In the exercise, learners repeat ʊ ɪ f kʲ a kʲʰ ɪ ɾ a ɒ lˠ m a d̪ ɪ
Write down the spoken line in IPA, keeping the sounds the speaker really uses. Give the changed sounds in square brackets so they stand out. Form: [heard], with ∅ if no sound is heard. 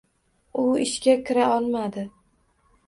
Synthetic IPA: ʊ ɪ [ʃ] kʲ a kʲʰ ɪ ɾ a ɒ lˠ m a d̪ ɪ